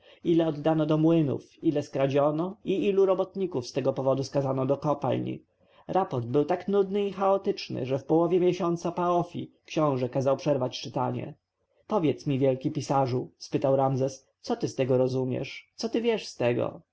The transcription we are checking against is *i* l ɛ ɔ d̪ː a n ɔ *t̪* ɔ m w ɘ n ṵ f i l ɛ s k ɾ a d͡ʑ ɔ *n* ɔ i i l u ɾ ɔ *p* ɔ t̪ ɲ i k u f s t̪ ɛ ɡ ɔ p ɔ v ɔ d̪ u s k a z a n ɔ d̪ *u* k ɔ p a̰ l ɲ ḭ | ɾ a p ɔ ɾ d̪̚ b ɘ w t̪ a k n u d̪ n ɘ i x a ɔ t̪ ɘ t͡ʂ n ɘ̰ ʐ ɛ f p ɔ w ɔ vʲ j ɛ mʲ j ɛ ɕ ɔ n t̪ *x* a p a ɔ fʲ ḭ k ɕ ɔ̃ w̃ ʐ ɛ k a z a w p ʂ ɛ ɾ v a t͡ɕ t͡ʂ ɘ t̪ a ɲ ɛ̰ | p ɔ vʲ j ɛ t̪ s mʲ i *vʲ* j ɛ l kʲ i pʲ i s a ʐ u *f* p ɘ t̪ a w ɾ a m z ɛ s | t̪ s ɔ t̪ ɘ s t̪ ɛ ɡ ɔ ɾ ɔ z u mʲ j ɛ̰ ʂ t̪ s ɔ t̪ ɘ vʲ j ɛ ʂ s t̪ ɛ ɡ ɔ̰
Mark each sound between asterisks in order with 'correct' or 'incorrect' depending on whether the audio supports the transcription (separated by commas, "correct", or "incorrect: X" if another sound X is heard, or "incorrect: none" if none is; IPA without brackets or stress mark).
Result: correct, incorrect: d̪, correct, incorrect: b, incorrect: ɔ, incorrect: s, correct, incorrect: s